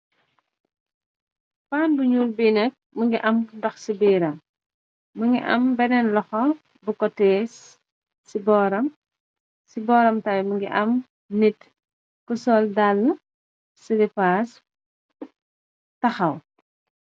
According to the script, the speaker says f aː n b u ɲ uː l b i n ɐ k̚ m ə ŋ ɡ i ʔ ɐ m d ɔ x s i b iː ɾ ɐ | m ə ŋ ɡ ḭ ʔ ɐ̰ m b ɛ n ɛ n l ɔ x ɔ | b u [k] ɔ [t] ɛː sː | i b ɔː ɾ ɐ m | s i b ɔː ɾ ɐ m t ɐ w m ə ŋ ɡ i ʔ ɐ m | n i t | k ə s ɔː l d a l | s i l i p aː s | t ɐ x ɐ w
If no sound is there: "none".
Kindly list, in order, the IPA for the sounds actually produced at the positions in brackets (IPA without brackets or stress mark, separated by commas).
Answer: k, t